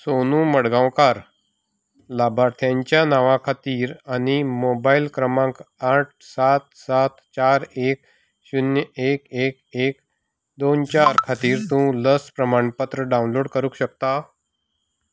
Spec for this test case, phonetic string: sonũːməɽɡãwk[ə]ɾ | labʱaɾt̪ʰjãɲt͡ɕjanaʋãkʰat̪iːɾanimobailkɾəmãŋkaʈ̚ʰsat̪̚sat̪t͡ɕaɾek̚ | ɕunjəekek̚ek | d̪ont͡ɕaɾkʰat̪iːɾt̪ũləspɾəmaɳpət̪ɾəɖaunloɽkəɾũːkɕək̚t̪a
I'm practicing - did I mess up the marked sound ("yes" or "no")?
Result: yes